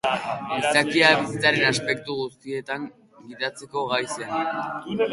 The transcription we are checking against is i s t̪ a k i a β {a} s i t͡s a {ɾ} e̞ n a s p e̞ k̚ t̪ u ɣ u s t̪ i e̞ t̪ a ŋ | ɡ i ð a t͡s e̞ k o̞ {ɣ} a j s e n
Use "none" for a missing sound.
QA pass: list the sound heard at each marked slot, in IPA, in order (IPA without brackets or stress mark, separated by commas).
i, ɾ, ɣ